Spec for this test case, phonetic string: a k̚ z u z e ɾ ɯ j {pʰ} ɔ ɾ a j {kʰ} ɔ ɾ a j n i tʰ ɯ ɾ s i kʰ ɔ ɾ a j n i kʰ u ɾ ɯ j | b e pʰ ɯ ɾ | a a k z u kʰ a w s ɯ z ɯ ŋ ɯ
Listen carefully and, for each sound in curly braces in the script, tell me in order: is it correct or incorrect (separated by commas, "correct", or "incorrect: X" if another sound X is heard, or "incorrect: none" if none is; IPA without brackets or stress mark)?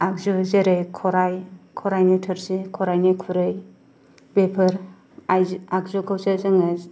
incorrect: kʰ, correct